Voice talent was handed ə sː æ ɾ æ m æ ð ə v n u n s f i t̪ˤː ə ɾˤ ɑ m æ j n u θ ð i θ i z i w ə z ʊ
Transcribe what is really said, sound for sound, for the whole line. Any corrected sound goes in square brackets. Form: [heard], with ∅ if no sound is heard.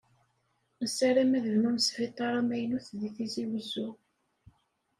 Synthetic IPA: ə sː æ ɾ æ m æ ð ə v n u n s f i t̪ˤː [ɑ] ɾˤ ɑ m æ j n u θ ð i θ i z i w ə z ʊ